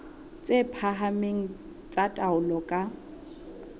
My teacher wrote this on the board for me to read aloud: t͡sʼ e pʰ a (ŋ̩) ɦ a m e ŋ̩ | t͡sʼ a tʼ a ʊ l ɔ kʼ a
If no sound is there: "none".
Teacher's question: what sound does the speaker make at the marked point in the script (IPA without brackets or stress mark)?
none